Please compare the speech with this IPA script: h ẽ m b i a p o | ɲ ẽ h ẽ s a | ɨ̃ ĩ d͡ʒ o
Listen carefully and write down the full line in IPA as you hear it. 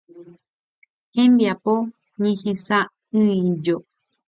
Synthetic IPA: h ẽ m b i a p o | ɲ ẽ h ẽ s a | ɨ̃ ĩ d͡ʒ o